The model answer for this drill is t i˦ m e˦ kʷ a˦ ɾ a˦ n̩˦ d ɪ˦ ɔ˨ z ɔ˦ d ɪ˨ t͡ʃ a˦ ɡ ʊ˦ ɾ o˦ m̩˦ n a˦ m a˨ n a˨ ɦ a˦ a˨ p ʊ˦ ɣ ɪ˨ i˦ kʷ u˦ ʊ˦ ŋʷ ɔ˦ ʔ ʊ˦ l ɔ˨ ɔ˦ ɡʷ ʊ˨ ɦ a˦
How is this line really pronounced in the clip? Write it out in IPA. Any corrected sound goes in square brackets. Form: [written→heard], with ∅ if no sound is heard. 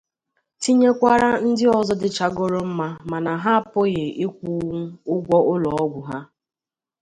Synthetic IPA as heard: t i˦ [m→ɲ] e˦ kʷ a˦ ɾ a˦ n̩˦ d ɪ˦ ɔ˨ z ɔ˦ d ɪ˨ t͡ʃ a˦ ɡ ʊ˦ ɾ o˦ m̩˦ [n→m] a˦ m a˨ n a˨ ɦ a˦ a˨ p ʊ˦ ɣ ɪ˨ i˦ kʷ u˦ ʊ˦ [ŋʷ→ɡʷ] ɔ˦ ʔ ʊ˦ l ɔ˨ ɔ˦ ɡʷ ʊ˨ ɦ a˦